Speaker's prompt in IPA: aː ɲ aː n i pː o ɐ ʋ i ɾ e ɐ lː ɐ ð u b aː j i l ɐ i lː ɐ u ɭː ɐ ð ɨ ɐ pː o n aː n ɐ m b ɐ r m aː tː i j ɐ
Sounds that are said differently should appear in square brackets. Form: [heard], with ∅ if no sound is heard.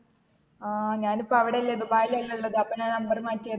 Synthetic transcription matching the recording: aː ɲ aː n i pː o ɐ ʋ i [ɽ] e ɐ lː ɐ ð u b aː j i l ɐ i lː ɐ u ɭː ɐ ð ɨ ɐ pː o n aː n ɐ m b ɐ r m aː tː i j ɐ